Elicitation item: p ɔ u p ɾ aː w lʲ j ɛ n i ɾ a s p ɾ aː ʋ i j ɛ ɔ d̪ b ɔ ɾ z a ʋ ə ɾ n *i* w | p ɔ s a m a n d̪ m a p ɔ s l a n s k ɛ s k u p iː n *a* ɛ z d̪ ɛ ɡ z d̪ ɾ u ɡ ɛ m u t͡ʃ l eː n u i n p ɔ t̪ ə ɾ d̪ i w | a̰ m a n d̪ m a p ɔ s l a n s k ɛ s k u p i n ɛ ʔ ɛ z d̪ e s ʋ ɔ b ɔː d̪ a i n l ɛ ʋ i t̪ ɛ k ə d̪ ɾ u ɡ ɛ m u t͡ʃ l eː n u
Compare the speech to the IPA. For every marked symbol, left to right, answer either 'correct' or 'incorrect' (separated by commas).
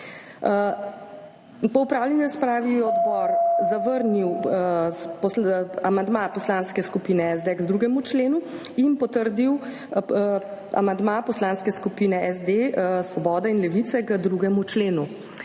correct, incorrect